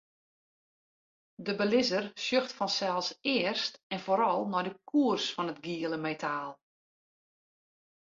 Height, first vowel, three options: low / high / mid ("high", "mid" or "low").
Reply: mid